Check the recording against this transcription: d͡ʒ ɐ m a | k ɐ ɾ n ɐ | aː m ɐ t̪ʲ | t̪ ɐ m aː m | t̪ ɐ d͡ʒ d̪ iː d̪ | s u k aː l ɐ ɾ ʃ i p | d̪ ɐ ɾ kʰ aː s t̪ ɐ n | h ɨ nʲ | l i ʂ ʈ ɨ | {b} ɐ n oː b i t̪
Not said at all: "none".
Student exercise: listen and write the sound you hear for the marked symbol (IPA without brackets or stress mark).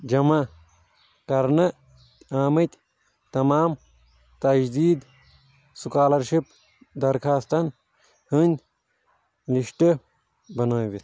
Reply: b